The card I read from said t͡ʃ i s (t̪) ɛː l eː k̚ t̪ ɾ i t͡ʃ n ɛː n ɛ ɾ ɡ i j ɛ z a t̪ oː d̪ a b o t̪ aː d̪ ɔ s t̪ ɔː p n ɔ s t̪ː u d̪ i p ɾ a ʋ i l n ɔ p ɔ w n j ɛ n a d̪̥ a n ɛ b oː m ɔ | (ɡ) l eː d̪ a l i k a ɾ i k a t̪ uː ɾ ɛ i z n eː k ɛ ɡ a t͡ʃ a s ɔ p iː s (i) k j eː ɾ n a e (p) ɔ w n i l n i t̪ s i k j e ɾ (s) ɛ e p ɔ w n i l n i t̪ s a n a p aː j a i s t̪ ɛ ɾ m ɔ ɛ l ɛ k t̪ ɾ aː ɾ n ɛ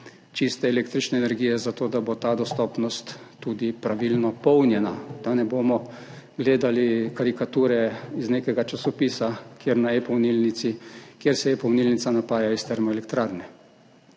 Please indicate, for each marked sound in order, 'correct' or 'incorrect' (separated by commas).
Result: correct, correct, incorrect, correct, correct